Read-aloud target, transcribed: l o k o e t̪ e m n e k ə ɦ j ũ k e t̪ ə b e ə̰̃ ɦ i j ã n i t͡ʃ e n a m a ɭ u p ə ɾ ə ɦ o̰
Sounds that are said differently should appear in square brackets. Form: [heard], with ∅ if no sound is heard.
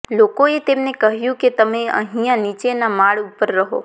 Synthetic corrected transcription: l o k o e t̪ e m n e k ə ɦ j ũ k e t̪ ə [m] e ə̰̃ ɦ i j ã n i t͡ʃ e n a m a ɭ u p ə [ɾː] ə ɦ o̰